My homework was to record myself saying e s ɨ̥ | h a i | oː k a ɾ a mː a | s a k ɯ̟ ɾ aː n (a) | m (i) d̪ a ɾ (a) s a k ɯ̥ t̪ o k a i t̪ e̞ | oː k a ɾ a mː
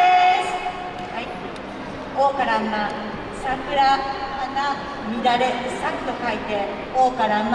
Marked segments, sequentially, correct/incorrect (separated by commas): correct, correct, incorrect